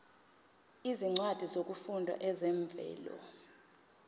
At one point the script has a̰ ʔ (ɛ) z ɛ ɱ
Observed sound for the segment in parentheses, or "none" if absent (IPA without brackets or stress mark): ɛ